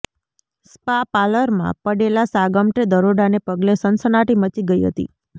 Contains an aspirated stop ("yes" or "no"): no